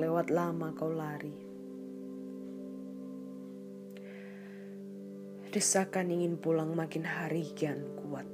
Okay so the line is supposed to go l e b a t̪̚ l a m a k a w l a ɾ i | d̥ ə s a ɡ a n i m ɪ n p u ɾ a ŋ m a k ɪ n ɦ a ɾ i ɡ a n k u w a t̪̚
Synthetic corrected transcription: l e w a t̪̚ l a m a k a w l a ɾ i | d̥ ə s a k a n i ŋ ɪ n p u l a ŋ m a k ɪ n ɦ a ɾ i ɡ a n k u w a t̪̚